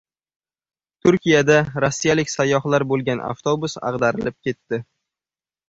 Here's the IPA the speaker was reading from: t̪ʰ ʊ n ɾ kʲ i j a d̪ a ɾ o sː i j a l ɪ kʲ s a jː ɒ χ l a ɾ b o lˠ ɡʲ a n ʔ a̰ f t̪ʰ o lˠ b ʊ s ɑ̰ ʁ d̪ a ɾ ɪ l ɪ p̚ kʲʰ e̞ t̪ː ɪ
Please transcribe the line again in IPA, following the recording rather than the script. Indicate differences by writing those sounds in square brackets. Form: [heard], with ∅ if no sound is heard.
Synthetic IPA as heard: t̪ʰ ʊ [∅] ɾ kʲ i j a d̪ a ɾ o sː i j a l ɪ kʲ s a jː ɒ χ l a ɾ b o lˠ ɡʲ a n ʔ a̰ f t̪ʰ o [∅] b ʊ s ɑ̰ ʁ d̪ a ɾ ɪ l ɪ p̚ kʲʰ e̞ t̪ː ɪ